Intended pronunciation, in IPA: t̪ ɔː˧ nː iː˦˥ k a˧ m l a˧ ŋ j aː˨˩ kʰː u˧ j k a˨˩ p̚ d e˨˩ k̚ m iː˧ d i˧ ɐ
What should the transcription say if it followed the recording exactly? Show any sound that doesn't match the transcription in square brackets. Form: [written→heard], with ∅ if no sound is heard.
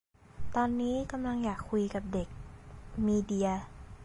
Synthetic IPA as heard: t̪ ɔː˧ nː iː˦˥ k a˧ m l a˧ ŋ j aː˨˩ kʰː u˧ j k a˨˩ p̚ d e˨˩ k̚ m iː˧ d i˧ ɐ